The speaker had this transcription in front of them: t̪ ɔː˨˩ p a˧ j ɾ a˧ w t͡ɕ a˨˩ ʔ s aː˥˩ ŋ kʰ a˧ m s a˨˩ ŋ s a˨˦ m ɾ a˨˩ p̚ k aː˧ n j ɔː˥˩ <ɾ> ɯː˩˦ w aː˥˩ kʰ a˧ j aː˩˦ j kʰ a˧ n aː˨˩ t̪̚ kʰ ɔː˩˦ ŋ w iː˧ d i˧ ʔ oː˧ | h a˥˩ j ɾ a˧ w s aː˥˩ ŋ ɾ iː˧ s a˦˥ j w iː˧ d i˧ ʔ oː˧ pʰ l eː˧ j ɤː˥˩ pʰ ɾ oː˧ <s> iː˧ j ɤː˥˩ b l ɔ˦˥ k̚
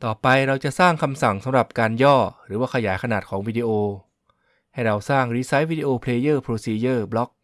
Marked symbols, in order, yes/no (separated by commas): yes, yes